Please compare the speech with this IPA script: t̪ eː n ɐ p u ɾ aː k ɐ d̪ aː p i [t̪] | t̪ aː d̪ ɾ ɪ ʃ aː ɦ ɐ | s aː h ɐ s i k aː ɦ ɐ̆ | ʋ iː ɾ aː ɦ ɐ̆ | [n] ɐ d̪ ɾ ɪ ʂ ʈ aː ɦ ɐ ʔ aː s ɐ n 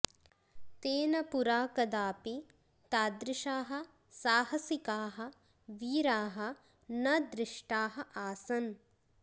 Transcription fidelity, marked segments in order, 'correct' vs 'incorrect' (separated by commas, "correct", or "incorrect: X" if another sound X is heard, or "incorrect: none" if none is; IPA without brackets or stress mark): incorrect: none, correct